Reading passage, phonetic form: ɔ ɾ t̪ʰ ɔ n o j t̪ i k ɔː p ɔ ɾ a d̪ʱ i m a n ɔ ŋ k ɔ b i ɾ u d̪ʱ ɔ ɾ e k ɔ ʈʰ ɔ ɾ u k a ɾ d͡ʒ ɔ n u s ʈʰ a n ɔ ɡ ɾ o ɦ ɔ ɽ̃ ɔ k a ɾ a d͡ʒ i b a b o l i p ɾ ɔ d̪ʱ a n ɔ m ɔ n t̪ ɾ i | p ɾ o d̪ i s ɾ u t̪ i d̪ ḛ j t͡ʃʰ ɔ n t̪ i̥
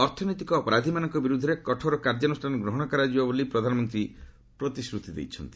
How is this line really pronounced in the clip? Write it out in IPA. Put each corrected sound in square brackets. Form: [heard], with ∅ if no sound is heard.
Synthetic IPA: ɔ ɾ t̪ʰ ɔ n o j t̪ i k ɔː p ɔ ɾ a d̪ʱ i m a n ɔ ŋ k ɔ b i ɾ u d̪ʱ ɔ ɾ e k ɔ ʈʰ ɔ ɾ [ɔ] k a ɾ d͡ʒ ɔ n u s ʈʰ a n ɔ ɡ ɾ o ɦ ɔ ɽ̃ ɔ k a ɾ a d͡ʒ i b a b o l i p ɾ ɔ d̪ʱ a n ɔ m ɔ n t̪ ɾ i | p ɾ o [t̪] i s ɾ u t̪ i d̪ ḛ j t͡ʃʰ ɔ n t̪ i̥

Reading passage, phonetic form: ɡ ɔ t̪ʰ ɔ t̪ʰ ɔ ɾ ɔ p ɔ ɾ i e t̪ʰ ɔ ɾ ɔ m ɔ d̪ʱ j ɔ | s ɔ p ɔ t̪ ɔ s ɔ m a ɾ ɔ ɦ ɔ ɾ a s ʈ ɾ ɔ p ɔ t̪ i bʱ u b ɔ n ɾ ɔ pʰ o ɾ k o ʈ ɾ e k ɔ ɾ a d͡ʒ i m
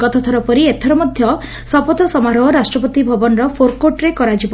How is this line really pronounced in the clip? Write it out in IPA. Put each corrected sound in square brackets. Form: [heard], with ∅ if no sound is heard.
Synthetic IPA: ɡ ɔ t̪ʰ ɔ t̪ʰ ɔ ɾ ɔ p ɔ ɾ i e t̪ʰ ɔ ɾ ɔ m ɔ d̪ʱ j ɔ | s ɔ p ɔ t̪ ɔ s ɔ m a ɾ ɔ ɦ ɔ ɾ a s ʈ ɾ ɔ p ɔ t̪ i bʱ [ɔ] b ɔ n ɾ ɔ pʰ o ɾ k o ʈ ɾ e k ɔ ɾ a d͡ʒ i [b]

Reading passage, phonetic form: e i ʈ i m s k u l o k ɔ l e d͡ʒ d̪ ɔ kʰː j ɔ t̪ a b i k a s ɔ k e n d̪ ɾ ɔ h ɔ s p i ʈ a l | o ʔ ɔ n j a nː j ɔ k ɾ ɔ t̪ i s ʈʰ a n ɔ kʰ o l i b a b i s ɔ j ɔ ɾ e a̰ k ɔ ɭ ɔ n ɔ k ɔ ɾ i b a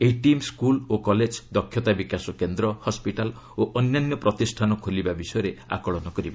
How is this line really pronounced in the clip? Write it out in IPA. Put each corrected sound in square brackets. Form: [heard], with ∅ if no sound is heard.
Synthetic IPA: e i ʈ i m s k u l o k ɔ l e d͡ʒ d̪ ɔ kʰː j ɔ t̪ a b i k a s ɔ k e n d̪ ɾ ɔ h ɔ s p i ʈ a l | o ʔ ɔ n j a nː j ɔ [p] ɾ ɔ t̪ i s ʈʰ a n ɔ kʰ o l i b a b i s ɔ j ɔ ɾ e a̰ k ɔ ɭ ɔ n ɔ k ɔ ɾ i b a

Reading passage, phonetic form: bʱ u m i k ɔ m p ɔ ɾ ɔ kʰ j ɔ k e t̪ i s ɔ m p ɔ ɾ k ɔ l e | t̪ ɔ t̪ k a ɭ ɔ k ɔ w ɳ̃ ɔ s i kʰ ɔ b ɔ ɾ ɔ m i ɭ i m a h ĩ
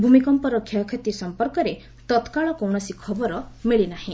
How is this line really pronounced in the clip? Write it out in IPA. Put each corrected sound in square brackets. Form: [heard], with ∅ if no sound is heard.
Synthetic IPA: bʱ u m i k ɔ m p ɔ ɾ ɔ kʰ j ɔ [kʰ] e t̪ i s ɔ m p ɔ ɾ k ɔ [ɾ] e | t̪ ɔ t̪ k a ɭ ɔ k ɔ w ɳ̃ ɔ s i kʰ ɔ b ɔ ɾ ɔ m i ɭ i [n] a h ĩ

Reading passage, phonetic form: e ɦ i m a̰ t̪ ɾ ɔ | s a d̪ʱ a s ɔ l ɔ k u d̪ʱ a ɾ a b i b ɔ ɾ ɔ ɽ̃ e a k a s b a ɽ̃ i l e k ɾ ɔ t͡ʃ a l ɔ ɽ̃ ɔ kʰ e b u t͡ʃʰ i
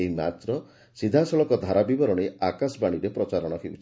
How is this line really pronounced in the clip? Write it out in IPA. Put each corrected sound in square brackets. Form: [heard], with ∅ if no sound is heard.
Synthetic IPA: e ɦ i m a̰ t̪ ɾ ɔ | s [i] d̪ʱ a s ɔ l ɔ k [ɔ] d̪ʱ a ɾ a b i b ɔ ɾ ɔ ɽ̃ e a k a s b a ɽ̃ i [ɾ] e [p] ɾ ɔ t͡ʃ a [ɾ] ɔ ɽ̃ ɔ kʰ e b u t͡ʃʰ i

